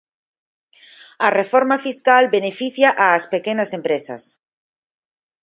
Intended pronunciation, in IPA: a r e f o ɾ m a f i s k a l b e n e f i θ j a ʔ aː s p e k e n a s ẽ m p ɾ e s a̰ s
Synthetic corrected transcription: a r e f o ɾ m a f i s k a l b e n e f i θ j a ʔ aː s p e k e n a s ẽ m p ɾ e s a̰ s